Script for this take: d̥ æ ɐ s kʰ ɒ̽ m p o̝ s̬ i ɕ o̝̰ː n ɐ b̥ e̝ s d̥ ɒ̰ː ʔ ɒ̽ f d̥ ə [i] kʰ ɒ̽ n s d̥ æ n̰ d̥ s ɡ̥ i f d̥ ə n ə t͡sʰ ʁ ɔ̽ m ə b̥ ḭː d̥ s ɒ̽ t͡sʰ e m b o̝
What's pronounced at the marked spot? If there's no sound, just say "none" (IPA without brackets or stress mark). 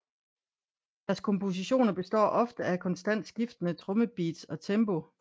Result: æ